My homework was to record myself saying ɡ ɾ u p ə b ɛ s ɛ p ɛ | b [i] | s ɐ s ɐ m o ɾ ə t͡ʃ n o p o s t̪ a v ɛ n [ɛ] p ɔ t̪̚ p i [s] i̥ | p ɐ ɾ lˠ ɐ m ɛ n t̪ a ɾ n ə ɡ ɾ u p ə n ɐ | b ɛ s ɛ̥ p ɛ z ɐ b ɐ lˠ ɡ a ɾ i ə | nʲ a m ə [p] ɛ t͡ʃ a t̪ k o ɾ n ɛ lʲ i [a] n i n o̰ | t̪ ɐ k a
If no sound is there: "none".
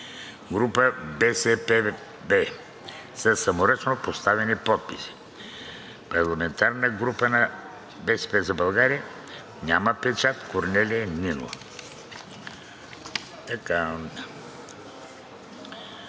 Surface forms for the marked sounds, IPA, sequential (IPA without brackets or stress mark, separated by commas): ɛ, i, s, p, ɛ